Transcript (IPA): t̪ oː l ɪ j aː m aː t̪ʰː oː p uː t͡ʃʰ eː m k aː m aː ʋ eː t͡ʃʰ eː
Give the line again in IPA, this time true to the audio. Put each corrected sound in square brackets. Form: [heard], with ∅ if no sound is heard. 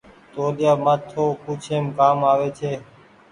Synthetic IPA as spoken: t̪ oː l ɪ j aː m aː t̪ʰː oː p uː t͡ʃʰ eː m k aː m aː ʋ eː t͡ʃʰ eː

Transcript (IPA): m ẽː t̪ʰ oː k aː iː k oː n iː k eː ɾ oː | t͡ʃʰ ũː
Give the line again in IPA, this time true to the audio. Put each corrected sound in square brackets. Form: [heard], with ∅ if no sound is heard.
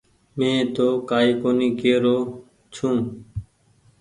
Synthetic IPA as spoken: m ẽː [t̪] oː k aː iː k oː n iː k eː ɾ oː | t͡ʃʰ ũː

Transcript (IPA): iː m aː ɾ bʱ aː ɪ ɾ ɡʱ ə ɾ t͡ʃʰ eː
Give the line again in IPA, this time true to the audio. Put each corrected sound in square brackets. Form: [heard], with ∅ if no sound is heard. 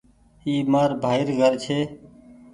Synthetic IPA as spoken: iː m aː ɾ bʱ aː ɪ ɾ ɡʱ ə ɾ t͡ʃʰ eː

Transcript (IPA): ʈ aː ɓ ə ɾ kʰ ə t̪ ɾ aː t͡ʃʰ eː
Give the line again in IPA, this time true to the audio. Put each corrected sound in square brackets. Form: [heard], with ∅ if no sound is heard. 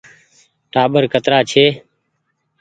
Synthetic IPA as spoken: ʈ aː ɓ ə ɾ [k] ə t̪ ɾ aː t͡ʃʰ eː

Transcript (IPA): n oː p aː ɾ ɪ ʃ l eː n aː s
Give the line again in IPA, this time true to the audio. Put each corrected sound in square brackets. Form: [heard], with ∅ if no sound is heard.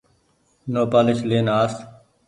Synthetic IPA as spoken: n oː p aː [l] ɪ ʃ l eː n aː s

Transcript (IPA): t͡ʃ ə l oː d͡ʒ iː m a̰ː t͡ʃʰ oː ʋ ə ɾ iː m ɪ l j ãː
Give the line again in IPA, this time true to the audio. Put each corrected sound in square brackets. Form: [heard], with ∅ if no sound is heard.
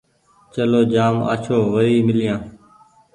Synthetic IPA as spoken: t͡ʃ ə l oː d͡ʒ [aː] m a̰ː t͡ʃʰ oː ʋ ə ɾ iː m ɪ l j ãː

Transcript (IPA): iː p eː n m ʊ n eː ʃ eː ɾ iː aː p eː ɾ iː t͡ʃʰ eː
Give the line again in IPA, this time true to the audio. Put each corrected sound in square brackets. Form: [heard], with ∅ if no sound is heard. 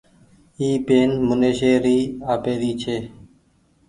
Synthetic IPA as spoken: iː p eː n m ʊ n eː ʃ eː ɾ iː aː p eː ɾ iː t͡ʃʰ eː

